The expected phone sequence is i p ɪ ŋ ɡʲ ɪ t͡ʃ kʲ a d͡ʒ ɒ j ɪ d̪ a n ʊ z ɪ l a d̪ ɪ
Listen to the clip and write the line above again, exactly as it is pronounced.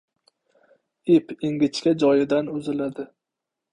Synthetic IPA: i p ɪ ŋ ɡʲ ɪ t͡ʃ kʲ a d͡ʒ ɒ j ɪ d̪ a n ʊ z ɪ l a d̪ ɪ